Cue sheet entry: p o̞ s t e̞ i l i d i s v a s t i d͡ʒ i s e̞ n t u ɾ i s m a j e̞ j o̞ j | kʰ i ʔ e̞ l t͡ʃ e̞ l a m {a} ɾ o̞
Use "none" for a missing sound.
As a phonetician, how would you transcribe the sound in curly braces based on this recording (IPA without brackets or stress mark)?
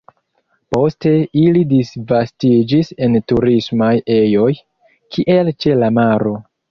a